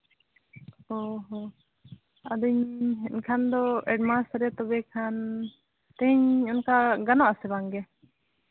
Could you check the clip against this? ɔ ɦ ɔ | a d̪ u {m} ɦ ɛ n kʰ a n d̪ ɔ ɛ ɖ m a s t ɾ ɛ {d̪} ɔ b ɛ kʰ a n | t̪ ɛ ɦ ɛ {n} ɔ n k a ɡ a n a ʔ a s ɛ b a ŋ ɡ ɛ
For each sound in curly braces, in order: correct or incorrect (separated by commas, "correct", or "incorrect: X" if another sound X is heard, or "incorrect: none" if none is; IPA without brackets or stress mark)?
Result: incorrect: ɲ, incorrect: t̪, incorrect: ɲ